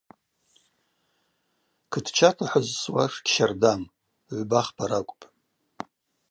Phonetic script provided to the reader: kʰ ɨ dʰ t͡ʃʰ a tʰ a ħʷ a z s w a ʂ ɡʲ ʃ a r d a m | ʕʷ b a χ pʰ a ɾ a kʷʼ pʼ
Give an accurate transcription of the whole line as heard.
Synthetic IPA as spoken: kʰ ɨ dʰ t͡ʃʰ a tʰ a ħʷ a z s w a ʂ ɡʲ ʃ a r d a m | ʕʷ b a χ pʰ a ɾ a kʷʼ pʼ